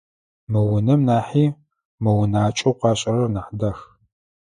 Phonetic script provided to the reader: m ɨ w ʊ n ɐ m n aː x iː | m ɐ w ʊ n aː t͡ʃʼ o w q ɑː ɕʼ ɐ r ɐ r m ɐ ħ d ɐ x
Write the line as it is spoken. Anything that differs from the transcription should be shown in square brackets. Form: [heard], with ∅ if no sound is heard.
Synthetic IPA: m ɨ w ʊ n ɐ m n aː [ħ] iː | m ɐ w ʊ n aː t͡ʃʼ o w q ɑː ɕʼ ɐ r ɐ r [n] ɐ ħ d ɐ x